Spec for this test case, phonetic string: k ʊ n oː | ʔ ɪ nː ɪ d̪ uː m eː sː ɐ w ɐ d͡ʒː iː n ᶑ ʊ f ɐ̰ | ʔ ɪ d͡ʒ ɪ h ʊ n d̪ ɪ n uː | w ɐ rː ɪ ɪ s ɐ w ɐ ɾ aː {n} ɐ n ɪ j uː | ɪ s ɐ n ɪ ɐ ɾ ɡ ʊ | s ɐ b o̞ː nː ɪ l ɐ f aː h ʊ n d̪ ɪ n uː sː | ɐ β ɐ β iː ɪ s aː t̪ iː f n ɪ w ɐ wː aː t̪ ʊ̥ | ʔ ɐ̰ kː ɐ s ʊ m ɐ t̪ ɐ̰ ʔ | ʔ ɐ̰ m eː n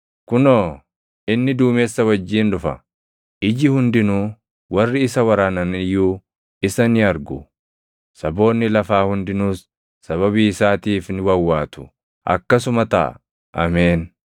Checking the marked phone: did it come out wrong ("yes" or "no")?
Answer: no